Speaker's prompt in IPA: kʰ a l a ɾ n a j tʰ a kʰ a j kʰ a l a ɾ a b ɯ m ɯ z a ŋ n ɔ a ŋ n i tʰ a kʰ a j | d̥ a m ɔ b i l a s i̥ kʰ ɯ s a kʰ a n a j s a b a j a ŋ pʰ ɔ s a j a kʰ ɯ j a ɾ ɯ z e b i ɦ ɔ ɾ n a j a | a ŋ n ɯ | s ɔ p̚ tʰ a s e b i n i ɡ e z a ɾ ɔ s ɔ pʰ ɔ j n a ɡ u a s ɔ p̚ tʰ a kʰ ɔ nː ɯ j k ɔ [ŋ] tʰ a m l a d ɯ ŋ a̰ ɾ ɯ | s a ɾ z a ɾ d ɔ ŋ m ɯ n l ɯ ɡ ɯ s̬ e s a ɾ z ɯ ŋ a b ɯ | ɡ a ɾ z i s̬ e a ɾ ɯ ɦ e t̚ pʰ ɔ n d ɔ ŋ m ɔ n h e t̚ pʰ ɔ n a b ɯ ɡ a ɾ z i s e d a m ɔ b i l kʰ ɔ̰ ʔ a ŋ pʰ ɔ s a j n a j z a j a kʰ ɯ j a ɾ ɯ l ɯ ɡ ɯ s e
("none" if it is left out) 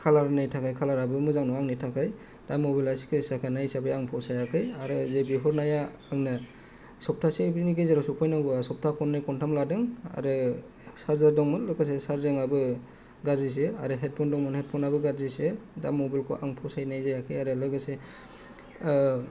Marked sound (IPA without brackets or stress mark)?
n